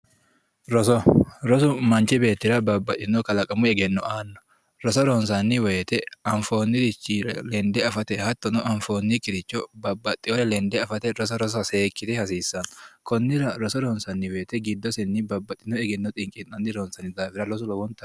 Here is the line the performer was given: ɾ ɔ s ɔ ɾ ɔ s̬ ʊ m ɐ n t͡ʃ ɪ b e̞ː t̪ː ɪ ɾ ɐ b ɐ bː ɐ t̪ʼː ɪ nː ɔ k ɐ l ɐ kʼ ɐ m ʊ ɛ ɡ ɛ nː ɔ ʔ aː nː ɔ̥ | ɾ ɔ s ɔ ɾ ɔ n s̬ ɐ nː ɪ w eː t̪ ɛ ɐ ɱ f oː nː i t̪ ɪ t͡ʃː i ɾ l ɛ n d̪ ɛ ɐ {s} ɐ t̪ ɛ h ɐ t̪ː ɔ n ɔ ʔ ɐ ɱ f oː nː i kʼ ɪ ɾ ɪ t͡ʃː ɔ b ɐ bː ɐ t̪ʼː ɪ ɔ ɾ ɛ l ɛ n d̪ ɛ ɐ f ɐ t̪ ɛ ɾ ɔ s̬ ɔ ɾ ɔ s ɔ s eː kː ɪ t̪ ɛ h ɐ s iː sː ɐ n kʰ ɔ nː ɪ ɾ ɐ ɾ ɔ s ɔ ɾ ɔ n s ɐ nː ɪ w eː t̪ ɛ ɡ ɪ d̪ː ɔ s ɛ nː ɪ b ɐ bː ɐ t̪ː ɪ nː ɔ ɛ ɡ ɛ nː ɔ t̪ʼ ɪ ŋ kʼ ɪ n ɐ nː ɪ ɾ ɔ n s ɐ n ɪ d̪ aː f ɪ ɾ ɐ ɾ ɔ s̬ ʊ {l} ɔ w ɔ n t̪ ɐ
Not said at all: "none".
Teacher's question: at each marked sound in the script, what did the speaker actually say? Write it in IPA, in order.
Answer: f, l

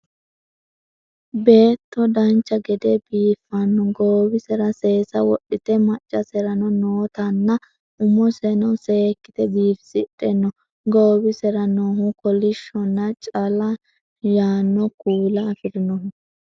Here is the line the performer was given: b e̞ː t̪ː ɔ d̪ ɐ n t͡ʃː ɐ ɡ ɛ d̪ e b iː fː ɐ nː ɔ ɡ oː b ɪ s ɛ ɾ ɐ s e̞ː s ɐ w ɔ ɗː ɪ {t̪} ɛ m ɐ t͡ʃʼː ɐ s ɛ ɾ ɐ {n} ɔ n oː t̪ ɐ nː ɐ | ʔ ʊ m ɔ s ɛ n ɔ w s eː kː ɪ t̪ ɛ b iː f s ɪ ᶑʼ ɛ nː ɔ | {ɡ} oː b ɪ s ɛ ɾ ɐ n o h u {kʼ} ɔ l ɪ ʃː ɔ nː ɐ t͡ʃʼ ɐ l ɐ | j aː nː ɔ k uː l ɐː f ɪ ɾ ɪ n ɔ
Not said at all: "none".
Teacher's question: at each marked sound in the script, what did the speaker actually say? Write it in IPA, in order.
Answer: t̪, n, ɡ, k

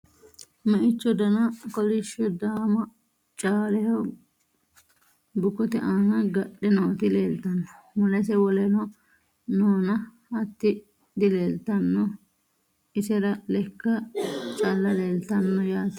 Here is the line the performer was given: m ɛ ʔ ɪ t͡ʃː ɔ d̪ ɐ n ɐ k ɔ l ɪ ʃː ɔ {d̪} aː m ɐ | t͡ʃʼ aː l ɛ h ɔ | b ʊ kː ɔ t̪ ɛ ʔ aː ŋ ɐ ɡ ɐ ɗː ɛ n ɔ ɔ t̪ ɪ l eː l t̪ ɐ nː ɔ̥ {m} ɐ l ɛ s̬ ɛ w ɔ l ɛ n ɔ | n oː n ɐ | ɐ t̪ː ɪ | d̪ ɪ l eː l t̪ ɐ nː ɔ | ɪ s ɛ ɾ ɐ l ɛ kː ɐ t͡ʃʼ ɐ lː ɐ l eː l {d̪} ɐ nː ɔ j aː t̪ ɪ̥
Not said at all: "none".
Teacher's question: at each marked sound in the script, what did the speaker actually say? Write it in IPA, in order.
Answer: d̪, m, t̪

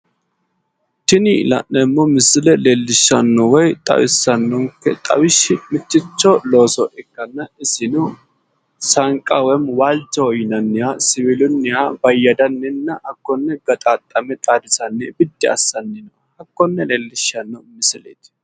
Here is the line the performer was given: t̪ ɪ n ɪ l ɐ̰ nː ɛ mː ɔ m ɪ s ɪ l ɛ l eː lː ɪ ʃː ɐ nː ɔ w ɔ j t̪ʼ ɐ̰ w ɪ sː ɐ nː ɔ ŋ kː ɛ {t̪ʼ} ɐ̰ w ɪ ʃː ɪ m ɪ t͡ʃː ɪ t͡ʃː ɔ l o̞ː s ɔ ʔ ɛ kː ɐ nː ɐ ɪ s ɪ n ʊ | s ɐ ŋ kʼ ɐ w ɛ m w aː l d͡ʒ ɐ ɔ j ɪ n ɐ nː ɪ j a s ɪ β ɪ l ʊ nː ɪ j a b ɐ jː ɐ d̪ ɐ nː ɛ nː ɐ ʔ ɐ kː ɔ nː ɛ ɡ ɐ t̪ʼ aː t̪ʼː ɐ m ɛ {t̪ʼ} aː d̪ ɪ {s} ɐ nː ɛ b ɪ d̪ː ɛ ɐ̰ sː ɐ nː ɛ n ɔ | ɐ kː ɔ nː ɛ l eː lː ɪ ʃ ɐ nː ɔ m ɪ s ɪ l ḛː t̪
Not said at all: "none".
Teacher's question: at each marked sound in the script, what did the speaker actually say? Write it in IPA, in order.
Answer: t̪ʼ, t̪ʼ, s

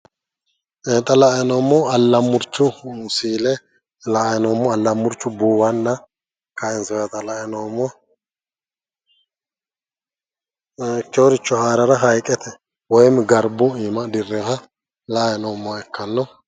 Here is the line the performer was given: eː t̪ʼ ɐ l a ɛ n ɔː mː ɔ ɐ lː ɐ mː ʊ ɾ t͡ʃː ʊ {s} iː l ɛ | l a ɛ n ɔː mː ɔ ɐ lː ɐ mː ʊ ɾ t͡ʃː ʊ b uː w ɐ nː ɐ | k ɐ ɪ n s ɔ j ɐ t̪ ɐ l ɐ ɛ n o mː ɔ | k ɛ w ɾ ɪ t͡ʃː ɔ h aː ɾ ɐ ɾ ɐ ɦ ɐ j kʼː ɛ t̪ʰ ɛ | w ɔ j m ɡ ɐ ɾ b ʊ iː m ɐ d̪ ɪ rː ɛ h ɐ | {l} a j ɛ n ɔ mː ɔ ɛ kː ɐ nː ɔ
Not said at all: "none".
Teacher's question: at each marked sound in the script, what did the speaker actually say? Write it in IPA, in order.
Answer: s, l

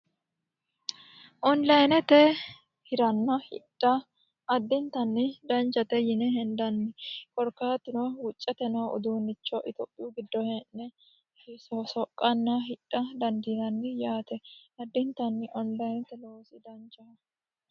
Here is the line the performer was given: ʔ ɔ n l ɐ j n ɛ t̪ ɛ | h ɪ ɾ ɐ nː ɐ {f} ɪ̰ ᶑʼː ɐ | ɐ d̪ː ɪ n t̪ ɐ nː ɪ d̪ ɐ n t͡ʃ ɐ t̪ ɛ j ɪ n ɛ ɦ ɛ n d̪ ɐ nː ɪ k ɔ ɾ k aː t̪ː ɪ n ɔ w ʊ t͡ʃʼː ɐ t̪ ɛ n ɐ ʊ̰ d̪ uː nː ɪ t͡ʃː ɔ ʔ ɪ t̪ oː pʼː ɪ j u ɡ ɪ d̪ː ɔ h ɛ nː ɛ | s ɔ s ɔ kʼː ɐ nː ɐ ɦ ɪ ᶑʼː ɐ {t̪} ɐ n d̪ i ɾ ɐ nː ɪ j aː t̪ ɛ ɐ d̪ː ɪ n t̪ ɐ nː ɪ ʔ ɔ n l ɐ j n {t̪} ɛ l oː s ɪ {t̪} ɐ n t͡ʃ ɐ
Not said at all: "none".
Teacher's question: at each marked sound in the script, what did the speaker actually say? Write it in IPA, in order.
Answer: h, d̪, t̪, d̪

